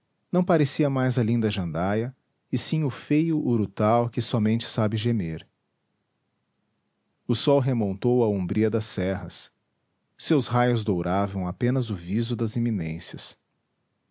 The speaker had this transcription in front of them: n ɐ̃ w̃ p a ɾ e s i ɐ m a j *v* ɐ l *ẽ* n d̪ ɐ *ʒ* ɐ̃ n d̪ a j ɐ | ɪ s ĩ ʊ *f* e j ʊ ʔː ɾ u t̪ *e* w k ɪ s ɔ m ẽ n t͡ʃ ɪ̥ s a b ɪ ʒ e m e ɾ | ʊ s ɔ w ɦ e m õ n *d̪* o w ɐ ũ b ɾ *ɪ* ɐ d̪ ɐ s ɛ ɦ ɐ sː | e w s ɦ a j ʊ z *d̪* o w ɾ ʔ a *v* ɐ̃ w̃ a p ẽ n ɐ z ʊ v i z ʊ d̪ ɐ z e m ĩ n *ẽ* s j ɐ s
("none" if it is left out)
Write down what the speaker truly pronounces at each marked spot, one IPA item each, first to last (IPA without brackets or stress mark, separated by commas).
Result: z, ĩ, ʒ, f, a, t̪, i, d̪, v, ẽ